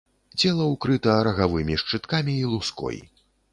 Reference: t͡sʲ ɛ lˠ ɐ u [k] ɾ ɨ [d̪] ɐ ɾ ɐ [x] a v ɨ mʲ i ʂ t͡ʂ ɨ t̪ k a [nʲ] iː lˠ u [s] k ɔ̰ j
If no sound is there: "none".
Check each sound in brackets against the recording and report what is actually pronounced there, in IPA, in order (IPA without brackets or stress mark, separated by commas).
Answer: k, t̪, ɣ, mʲ, s